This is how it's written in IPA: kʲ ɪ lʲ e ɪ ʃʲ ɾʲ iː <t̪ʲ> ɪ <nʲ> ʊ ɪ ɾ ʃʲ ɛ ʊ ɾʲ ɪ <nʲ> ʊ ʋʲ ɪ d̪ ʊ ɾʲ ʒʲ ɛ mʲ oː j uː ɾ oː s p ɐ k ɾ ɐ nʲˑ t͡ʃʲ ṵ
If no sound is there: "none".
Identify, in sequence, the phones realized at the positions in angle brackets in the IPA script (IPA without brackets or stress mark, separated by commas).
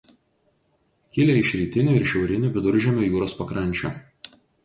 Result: t̪ʲ, nʲ, nʲ